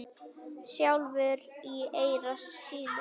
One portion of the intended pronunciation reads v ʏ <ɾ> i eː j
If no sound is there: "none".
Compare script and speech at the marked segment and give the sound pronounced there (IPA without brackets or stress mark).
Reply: ɾ